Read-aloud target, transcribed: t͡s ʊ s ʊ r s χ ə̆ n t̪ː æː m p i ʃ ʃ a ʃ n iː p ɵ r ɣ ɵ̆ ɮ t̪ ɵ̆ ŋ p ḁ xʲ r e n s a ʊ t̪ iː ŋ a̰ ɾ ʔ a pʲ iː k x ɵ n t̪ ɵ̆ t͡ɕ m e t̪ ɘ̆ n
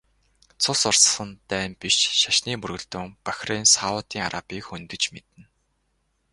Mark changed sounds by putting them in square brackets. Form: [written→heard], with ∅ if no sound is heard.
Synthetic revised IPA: [t͡s→t͡sʰ] ʊ s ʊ r s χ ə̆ n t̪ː æː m p i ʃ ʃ a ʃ n iː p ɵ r ɣ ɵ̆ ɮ t̪ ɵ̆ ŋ p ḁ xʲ r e n s a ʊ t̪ iː ŋ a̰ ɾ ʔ a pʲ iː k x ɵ n t̪ ɵ̆ t͡ɕ m e t̪ ɘ̆ n